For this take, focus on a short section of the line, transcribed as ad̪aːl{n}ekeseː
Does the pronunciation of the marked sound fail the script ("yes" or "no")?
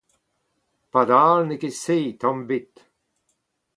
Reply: no